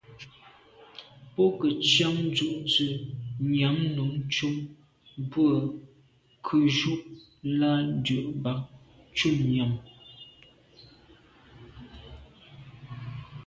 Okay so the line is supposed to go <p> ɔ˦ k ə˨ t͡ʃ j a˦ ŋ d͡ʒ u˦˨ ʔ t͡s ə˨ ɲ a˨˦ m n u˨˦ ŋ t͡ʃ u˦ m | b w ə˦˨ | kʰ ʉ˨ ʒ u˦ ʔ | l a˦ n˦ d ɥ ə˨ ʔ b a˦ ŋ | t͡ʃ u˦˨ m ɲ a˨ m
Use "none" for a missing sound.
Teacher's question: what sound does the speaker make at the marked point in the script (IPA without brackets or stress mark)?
p